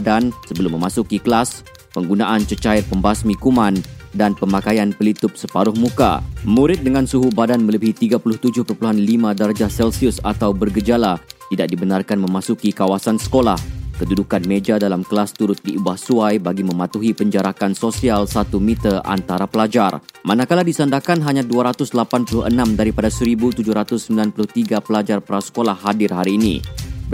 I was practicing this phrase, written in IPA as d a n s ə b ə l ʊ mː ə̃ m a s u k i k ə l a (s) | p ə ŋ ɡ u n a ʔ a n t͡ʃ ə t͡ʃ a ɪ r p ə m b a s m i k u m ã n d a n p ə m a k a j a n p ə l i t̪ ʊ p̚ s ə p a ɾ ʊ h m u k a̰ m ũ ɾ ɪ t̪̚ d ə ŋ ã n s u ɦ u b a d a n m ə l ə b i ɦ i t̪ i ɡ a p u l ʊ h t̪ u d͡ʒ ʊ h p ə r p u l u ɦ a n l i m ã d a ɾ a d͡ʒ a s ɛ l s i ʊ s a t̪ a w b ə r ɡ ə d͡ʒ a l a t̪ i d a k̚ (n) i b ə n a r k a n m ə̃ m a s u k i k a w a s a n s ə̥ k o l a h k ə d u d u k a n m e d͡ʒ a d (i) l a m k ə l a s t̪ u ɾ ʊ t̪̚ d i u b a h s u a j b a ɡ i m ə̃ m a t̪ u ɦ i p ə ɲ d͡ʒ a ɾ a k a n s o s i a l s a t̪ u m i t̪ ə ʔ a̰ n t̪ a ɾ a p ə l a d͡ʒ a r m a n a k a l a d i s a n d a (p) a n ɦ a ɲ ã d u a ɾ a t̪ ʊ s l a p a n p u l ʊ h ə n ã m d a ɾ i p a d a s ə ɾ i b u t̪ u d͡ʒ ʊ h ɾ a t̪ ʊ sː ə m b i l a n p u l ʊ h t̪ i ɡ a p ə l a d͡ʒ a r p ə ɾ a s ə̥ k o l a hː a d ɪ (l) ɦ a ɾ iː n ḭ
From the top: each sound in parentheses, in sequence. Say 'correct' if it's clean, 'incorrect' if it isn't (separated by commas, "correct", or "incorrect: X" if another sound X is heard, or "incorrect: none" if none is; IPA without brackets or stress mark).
correct, incorrect: d, incorrect: a, incorrect: k, incorrect: r